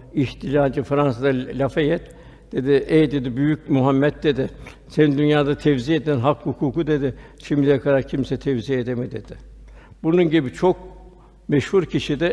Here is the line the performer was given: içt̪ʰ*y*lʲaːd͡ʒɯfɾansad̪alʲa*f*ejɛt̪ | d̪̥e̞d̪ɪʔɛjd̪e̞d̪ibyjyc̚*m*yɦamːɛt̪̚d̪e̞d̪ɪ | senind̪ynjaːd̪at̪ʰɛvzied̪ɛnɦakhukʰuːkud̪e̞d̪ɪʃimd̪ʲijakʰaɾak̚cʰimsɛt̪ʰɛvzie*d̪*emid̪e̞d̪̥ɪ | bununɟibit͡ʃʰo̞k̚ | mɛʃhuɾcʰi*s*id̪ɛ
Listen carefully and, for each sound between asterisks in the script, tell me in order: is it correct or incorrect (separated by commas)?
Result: incorrect, correct, correct, correct, incorrect